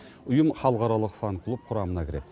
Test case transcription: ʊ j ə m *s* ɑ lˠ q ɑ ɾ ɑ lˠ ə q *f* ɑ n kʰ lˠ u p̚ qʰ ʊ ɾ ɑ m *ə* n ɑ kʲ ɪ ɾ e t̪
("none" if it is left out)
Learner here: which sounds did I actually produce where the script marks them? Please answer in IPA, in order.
χ, f, ə

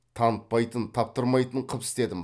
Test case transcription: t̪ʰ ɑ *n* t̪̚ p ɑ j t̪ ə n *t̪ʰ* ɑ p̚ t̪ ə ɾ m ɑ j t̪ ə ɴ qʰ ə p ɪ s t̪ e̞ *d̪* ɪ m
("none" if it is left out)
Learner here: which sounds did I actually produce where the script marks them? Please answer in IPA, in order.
n, t̪ʰ, d̪

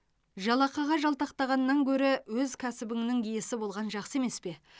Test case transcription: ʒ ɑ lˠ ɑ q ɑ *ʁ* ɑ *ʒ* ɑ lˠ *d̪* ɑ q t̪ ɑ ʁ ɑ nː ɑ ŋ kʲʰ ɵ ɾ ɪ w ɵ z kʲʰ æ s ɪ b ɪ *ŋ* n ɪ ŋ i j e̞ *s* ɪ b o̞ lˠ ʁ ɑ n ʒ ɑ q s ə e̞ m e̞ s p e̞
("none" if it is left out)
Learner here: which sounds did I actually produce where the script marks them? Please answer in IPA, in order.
ʁ, ʒ, t̪, ŋ, s

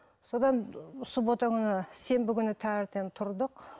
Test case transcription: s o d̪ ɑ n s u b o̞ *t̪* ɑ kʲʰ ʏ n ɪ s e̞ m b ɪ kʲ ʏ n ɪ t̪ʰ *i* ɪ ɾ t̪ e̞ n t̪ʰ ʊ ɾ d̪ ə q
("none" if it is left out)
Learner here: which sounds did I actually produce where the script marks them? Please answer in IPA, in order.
t̪, æ

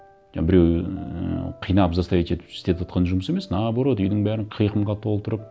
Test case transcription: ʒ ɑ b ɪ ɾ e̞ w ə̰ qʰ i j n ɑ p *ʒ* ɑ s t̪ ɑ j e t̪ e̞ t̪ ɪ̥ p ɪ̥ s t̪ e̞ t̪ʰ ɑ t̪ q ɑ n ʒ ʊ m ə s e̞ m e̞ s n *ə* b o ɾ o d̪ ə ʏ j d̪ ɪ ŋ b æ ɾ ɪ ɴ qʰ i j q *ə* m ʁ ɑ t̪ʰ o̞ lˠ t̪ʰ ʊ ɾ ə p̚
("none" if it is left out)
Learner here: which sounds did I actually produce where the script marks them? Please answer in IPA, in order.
z, ɑ, ə

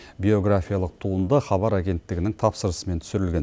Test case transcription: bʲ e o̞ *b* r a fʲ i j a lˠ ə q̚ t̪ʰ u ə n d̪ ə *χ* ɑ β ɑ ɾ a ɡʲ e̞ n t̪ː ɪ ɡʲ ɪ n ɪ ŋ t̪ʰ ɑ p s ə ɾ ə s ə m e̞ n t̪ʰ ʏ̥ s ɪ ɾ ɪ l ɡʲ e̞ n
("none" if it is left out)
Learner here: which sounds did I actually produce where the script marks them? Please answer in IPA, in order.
ɡ, χ

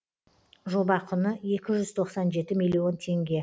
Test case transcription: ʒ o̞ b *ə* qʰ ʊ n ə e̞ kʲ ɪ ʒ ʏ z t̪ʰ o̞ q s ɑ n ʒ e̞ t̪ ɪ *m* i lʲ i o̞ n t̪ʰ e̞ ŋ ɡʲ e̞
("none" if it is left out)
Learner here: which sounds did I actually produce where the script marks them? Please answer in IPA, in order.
ɑ, m

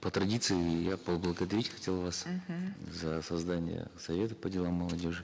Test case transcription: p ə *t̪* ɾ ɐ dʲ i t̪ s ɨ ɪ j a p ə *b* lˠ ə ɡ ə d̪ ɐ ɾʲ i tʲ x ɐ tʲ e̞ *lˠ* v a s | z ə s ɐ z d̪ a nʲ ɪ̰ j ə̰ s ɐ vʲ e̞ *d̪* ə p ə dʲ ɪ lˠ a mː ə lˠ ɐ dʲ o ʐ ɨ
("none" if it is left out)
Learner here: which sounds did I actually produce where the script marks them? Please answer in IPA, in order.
t̪, b, lˠ, t̪

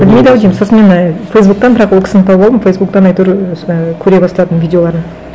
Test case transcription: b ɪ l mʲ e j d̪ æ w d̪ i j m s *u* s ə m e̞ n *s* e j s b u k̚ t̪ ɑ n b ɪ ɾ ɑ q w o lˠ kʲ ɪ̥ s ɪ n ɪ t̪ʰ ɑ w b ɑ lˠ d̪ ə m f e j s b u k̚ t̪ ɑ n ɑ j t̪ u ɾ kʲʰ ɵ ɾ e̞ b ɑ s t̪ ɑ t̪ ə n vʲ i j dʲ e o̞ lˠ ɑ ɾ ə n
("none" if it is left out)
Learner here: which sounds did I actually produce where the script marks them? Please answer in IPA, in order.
o, f

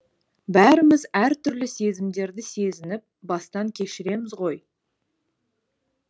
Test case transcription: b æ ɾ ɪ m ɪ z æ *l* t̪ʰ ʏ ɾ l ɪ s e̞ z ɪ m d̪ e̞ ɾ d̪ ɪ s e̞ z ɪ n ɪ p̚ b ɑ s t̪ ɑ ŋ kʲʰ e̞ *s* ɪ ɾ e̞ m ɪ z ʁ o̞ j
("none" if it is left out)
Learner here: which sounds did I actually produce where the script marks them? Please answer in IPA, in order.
ɾ, ʃ

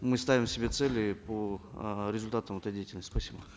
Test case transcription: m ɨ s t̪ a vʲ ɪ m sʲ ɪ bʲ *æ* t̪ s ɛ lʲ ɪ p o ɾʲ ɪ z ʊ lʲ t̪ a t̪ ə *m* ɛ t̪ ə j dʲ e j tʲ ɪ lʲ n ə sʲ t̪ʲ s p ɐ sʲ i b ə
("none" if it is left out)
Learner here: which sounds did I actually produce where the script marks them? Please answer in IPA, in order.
e, m

